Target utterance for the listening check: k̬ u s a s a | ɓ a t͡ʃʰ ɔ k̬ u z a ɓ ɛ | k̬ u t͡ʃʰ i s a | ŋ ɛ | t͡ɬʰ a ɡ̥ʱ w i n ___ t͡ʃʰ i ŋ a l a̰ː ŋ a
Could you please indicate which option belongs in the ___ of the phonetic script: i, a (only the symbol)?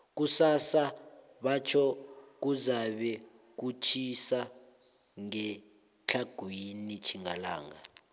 i